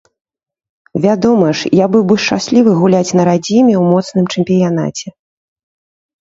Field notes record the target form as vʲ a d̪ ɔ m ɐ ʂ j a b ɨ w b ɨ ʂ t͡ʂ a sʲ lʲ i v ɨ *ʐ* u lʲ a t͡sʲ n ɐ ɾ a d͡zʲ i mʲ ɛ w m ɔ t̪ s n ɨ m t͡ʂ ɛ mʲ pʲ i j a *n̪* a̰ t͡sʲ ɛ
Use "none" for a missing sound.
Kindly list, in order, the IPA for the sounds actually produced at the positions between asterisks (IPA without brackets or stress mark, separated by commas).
ɣ, n̪